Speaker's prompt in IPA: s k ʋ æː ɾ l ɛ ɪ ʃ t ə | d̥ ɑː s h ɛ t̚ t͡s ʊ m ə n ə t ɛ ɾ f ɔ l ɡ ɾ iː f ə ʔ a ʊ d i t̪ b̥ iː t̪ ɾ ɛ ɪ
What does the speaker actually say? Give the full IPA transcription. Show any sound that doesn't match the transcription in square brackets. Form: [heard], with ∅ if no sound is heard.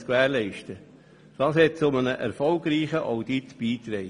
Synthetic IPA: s k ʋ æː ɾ l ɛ ɪ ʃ t ə | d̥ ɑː s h ɛ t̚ t͡s ʊ m ə n ə [ʔ] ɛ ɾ f ɔ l ɡ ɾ iː [χ] ə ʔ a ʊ d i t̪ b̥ iː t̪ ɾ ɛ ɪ